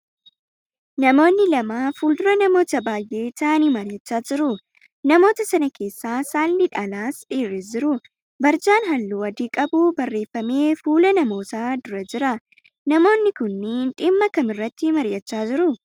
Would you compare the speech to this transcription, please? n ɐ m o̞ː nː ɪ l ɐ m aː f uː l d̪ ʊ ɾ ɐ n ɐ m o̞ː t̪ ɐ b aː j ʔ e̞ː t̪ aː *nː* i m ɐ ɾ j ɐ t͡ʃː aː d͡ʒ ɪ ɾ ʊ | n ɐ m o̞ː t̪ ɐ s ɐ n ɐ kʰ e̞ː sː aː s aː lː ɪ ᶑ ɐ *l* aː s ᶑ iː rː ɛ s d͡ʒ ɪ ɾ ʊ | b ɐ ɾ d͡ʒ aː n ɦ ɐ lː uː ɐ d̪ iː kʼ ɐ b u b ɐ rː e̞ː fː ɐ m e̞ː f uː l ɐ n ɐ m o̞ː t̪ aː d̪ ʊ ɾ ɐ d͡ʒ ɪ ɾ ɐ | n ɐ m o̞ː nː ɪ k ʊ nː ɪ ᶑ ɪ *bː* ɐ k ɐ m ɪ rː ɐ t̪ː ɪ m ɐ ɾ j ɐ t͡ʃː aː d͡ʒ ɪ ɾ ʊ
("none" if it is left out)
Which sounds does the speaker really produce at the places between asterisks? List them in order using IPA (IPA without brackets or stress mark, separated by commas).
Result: n, l, mː